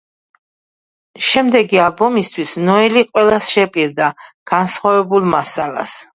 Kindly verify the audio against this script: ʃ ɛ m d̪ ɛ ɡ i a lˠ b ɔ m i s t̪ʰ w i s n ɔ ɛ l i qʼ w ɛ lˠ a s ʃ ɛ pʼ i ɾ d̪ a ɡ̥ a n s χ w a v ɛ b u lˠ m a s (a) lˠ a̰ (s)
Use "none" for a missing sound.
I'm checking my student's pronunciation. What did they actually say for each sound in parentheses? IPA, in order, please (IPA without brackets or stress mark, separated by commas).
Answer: a, s